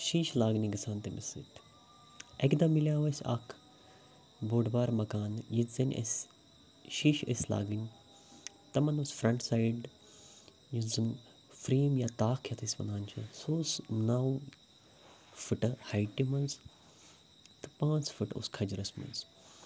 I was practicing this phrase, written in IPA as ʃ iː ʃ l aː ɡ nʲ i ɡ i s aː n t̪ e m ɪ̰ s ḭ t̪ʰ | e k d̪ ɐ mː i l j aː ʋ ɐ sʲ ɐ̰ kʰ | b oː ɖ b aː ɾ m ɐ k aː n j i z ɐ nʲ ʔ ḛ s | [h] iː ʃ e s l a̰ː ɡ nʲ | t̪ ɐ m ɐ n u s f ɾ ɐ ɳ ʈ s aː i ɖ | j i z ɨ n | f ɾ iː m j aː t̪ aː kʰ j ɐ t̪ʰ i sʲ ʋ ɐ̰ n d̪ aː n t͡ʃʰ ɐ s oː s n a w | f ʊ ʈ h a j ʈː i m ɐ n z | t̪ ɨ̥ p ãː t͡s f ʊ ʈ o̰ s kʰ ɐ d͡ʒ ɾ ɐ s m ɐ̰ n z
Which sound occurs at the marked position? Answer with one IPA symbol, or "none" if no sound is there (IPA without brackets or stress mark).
ʃ